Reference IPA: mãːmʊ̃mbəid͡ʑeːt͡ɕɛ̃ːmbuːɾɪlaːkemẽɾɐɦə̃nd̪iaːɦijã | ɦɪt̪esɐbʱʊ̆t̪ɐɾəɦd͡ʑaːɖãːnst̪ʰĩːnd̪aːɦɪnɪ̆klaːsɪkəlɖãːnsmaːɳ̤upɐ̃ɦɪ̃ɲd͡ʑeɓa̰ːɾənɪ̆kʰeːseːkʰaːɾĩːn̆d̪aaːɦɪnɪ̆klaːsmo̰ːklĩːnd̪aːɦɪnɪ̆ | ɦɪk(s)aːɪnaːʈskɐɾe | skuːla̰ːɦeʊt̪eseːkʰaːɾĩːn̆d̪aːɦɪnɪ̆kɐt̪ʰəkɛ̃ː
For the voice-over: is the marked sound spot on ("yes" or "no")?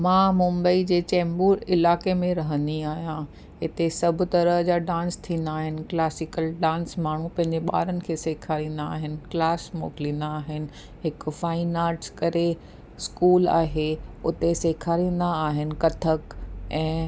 no